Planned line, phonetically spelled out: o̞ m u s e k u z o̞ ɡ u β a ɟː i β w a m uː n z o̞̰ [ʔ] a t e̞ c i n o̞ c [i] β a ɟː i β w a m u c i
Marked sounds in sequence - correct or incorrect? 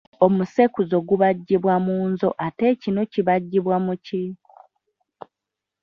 correct, correct

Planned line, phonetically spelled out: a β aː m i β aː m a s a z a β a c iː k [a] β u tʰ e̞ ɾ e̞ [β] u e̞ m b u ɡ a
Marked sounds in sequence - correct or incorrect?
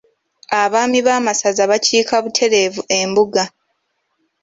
correct, incorrect

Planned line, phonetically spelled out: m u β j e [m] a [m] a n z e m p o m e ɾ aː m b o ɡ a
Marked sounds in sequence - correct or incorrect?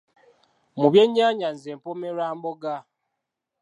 incorrect, incorrect

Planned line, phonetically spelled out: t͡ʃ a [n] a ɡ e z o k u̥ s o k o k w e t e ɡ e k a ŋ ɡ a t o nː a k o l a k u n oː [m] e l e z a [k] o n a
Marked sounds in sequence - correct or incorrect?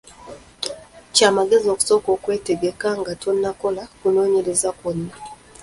incorrect, incorrect, correct

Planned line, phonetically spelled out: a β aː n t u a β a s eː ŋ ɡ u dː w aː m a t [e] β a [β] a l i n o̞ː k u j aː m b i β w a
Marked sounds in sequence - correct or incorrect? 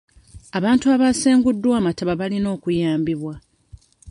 incorrect, correct

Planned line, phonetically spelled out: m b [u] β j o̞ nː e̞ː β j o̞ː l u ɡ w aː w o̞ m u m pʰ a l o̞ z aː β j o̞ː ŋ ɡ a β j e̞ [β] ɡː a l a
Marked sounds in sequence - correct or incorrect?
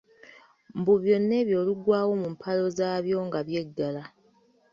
correct, incorrect

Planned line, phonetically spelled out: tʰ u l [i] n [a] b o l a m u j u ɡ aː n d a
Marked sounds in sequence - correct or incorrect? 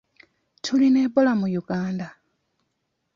correct, incorrect

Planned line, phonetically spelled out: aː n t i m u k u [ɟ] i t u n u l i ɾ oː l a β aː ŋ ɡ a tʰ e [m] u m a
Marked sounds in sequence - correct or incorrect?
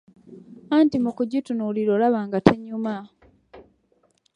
correct, incorrect

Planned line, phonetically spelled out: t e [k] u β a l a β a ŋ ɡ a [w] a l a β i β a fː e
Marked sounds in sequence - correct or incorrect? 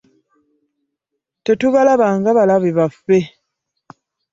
incorrect, incorrect

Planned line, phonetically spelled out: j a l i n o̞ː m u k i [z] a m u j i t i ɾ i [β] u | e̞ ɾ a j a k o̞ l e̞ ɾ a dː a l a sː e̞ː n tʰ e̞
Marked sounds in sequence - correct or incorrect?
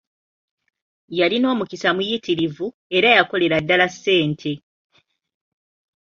incorrect, incorrect

